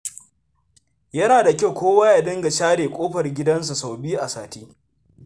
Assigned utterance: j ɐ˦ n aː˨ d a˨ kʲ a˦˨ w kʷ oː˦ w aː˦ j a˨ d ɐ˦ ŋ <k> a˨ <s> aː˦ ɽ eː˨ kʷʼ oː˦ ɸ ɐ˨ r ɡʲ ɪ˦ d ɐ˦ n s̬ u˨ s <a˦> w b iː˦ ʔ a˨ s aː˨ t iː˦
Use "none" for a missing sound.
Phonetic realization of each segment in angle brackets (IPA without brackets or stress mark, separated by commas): ɡ, ʃ, a˨